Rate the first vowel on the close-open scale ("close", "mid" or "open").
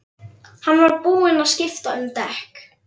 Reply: open